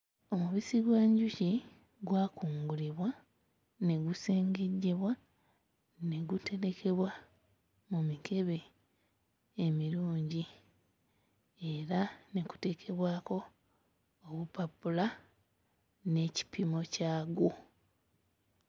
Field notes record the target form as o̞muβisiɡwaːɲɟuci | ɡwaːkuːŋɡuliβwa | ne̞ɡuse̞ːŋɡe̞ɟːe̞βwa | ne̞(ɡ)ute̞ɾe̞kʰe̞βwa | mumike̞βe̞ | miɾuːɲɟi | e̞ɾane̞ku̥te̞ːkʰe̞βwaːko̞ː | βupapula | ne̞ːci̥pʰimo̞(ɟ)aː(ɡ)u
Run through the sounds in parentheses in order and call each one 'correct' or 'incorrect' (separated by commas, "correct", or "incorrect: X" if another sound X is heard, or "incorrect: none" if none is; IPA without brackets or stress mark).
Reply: correct, incorrect: c, correct